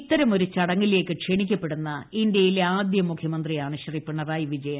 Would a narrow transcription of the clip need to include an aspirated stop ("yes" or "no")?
yes